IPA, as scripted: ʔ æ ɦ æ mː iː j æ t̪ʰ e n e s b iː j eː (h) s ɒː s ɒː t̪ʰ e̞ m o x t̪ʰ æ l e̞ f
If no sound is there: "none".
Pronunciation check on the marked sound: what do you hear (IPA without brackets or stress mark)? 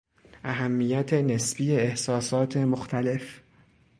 h